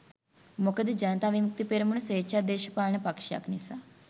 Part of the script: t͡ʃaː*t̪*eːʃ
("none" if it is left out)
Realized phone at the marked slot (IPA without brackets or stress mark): d̪